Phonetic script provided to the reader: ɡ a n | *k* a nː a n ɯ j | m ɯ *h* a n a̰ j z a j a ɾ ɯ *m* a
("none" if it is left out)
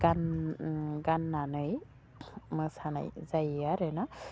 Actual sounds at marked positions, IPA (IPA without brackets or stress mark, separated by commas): ɡ, s, n